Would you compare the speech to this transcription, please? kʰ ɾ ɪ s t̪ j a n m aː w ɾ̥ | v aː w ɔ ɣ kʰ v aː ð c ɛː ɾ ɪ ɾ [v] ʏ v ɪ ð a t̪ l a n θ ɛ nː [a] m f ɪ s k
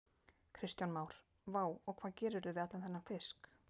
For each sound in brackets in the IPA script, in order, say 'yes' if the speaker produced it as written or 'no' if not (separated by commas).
no, yes